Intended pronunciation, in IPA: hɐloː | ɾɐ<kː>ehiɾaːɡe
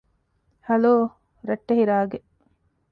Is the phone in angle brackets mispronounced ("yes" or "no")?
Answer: yes